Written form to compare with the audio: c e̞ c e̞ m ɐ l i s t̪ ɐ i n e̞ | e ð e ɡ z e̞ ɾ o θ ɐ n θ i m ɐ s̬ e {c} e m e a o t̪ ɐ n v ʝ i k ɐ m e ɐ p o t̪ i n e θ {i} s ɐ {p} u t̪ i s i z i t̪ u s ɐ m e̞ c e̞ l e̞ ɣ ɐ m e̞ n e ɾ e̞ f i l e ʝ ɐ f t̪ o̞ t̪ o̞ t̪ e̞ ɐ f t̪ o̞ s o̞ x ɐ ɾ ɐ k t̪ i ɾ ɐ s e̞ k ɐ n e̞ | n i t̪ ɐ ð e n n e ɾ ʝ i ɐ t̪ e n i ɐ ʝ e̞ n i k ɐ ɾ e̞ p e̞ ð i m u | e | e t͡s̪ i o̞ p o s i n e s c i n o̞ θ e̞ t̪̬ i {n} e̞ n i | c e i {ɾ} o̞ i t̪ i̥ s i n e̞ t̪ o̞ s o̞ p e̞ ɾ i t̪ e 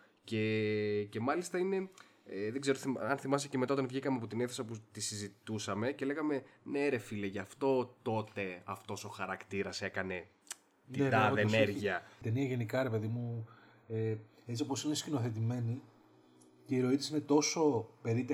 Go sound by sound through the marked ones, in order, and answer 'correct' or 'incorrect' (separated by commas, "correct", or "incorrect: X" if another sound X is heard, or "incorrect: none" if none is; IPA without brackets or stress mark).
correct, incorrect: e, correct, incorrect: m, correct